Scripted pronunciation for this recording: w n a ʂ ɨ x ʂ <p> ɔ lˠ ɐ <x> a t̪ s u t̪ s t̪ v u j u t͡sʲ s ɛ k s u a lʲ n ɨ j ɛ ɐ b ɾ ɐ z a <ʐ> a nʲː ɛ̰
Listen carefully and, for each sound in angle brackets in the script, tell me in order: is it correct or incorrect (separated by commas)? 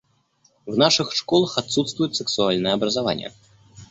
incorrect, correct, incorrect